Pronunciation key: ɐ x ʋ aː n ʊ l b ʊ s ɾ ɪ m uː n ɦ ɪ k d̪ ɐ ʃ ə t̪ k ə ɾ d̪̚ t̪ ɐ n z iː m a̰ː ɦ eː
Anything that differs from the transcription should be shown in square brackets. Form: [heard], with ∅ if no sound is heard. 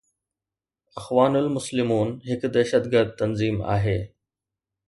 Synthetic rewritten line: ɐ x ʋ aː n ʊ l [m] ʊ s [l] ɪ m uː n ɦ ɪ k d̪ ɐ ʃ ə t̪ [ɡ] ə ɾ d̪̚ t̪ ɐ n z iː m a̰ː ɦ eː